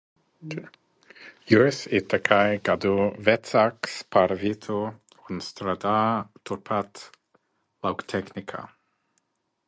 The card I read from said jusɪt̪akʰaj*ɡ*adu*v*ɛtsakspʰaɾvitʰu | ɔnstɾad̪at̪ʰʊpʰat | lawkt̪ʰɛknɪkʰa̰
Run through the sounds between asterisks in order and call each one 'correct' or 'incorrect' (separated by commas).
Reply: correct, correct